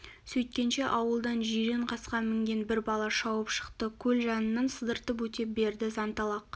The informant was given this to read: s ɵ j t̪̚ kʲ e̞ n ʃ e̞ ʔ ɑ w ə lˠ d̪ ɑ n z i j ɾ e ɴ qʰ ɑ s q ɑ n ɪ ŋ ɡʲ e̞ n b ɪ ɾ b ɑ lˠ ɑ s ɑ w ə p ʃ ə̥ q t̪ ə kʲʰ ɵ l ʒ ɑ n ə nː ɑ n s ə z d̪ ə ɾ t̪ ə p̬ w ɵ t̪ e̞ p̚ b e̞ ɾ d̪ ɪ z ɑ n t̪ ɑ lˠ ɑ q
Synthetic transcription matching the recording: s ɵ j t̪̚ kʲ e̞ n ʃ e̞ ʔ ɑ w ə lˠ d̪ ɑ n ʒ i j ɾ e ɴ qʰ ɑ s q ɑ m ɪ ŋ ɡʲ e̞ n b ɪ ɾ b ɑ lˠ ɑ ʃ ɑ w ə p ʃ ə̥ q t̪ ə kʲʰ ɵ l ʒ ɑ n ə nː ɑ n s ə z d̪ ə ɾ t̪ ə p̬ w ɵ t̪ e̞ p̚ b e̞ ɾ d̪ ɪ z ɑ n t̪ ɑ lˠ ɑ q